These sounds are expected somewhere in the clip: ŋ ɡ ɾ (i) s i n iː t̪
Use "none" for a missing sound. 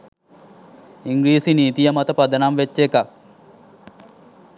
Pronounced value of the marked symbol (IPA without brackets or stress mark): iː